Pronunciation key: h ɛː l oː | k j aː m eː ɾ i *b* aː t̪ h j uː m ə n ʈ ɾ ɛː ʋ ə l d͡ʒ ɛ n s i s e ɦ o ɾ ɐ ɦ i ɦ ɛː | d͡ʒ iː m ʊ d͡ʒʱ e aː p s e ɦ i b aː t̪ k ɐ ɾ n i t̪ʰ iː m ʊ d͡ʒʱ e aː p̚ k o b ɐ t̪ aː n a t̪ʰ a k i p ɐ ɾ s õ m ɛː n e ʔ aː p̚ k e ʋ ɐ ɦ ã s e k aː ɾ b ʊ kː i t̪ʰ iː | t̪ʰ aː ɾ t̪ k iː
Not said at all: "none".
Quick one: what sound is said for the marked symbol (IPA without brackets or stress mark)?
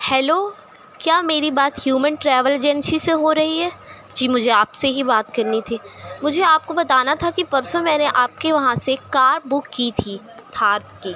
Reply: b